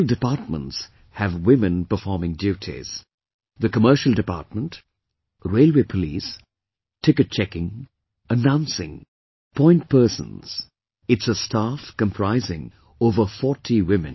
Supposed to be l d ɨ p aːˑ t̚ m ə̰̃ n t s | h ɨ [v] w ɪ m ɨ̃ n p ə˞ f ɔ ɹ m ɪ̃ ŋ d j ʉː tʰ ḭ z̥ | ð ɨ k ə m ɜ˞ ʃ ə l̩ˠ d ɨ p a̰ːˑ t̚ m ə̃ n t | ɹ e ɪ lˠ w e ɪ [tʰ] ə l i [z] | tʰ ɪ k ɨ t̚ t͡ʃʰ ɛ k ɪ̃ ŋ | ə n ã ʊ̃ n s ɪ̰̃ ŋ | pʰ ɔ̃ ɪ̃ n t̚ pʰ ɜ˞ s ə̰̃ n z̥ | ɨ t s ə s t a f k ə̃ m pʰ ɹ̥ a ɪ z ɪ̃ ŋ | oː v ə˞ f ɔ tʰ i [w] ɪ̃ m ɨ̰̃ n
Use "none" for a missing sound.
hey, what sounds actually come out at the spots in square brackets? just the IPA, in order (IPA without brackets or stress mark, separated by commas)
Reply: v, pʰ, s, w